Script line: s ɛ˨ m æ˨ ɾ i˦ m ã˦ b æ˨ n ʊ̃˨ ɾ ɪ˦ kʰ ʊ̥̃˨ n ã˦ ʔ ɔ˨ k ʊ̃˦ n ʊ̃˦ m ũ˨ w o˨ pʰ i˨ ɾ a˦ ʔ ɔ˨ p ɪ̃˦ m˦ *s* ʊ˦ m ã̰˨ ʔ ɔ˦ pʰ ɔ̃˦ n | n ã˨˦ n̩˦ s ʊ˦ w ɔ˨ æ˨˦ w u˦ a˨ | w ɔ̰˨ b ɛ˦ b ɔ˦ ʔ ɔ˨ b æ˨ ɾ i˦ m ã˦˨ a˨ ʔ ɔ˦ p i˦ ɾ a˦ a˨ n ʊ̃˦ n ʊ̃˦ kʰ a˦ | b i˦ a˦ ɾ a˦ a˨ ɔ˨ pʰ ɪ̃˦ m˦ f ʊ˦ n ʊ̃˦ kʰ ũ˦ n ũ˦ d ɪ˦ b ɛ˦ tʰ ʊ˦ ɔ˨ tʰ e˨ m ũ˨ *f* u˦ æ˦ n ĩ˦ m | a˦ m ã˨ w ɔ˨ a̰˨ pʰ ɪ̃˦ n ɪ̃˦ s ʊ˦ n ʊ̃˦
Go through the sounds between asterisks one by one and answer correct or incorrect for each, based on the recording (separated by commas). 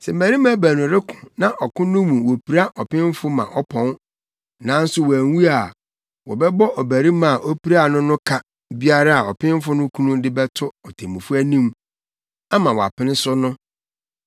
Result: incorrect, correct